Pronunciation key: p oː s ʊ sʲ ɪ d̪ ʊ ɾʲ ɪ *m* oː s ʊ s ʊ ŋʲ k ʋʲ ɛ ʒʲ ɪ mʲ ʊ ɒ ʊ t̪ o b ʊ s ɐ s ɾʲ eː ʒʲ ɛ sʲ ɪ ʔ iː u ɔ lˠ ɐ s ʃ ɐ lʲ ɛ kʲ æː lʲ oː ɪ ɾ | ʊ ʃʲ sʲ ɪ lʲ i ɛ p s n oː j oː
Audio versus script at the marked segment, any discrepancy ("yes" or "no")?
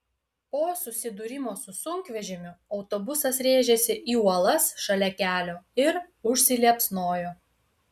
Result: no